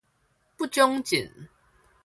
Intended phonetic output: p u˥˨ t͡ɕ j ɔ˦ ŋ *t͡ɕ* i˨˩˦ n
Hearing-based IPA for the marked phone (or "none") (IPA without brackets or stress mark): t͡ɕ